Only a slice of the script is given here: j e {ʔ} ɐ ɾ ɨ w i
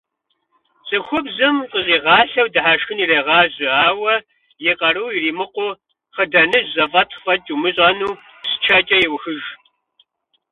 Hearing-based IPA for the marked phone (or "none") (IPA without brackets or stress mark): q